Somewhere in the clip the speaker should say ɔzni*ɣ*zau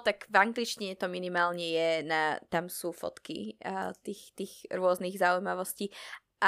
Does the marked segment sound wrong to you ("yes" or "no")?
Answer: no